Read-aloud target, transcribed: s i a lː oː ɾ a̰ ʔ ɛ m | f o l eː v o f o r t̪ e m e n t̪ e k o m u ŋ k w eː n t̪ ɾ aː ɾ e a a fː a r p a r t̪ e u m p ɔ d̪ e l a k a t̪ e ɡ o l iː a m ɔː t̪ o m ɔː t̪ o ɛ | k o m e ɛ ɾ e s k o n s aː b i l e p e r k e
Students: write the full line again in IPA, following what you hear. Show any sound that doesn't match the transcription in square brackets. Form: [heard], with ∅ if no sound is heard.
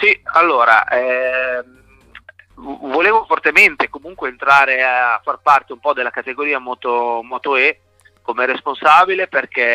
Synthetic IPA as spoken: s i a lː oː ɾ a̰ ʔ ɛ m | [v] o l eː v o f o r t̪ e m e n t̪ e k o m u ŋ k w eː n t̪ ɾ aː ɾ e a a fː a r p a r t̪ e u m p ɔ d̪ e l a k a t̪ e ɡ o [ɾ] iː a m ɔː t̪ o m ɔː t̪ o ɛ | k o m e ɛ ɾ e s [p] o n s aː b i l e p e r k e